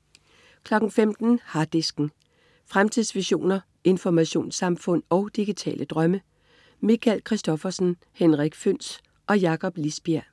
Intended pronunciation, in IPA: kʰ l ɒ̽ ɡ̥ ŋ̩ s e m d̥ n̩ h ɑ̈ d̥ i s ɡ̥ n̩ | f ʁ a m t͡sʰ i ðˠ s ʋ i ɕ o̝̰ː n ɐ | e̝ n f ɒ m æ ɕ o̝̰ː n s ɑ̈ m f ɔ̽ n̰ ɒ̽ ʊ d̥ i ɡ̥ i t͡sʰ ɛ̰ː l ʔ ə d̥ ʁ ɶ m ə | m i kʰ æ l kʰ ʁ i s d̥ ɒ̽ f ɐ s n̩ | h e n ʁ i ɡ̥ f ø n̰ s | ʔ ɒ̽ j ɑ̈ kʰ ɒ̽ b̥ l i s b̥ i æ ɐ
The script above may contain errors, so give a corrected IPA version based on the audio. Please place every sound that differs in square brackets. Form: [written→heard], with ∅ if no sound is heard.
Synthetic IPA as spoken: kʰ l ɒ̽ ɡ̥ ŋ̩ [s→f] e m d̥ n̩ h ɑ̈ d̥ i s ɡ̥ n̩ | f ʁ a m t͡sʰ i ðˠ s ʋ i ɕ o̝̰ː n ɐ | e̝ n f ɒ m æ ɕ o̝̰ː n s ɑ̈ m f ɔ̽ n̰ ɒ̽ ʊ d̥ i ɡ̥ i t͡sʰ ɛ̰ː l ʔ ə d̥ ʁ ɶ m ə | m i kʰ æ l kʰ ʁ i s d̥ ɒ̽ f ɐ s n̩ | h e n ʁ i ɡ̥ f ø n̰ s | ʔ ɒ̽ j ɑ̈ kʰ ɒ̽ b̥ l i s b̥ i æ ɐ